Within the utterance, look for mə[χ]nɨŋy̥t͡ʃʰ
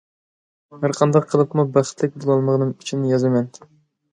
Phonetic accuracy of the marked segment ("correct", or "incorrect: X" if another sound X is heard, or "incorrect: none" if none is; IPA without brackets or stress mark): incorrect: ʁ